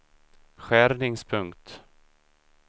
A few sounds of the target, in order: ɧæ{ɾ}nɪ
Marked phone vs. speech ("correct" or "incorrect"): correct